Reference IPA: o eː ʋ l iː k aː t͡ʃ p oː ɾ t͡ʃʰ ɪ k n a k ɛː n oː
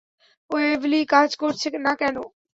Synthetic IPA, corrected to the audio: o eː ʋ l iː k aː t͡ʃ k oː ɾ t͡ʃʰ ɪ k n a k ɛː n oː